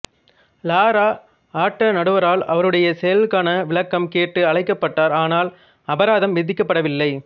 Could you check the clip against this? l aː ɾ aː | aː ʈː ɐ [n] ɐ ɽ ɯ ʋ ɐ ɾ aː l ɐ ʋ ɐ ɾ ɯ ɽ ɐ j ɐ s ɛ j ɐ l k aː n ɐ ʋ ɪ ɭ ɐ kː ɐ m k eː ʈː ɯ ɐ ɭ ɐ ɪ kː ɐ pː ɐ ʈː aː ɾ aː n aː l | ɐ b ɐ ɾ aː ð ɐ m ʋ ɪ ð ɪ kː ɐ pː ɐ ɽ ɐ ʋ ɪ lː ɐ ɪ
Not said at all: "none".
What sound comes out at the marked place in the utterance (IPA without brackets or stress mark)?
n